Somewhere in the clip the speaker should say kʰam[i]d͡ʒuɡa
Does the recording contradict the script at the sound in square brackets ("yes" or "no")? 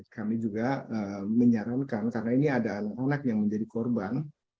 no